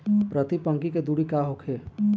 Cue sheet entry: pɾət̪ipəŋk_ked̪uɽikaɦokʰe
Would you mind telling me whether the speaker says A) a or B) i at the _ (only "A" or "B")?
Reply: B